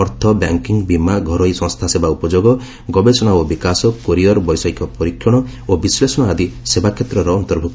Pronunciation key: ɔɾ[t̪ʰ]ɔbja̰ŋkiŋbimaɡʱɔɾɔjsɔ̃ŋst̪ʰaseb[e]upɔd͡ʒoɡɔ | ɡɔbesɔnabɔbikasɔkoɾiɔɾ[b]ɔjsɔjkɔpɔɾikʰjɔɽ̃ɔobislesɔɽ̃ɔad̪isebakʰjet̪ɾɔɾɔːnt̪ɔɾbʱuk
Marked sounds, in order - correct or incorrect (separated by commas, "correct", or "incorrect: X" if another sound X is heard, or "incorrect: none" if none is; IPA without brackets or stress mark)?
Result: correct, incorrect: a, correct